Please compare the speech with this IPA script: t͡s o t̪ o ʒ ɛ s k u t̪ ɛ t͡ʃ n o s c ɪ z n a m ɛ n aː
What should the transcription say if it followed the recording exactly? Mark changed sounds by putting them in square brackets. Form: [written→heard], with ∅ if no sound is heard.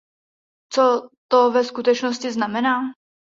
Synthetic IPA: t͡s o t̪ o [ʒ→v] ɛ s k u t̪ ɛ t͡ʃ n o s c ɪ z n a m ɛ n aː